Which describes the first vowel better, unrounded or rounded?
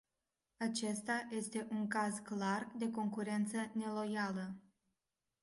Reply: unrounded